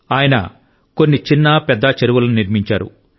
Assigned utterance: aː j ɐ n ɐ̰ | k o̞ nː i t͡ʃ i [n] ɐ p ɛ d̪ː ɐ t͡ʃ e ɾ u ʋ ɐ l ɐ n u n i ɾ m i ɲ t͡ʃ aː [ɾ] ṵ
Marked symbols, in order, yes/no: no, yes

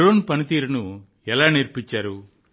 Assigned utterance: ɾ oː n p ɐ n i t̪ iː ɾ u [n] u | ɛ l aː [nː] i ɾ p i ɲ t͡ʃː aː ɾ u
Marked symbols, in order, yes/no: yes, no

